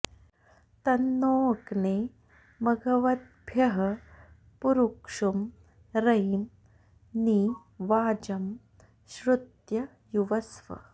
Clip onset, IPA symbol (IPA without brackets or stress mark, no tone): t̪